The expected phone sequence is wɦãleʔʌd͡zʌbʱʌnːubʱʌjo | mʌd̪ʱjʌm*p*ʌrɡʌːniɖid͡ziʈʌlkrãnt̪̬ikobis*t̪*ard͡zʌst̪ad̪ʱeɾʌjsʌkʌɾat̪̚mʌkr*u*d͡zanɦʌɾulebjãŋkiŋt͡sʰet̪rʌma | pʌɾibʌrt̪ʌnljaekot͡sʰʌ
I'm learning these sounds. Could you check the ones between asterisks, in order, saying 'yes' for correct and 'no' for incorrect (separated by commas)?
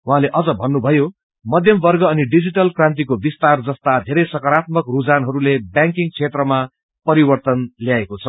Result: no, yes, yes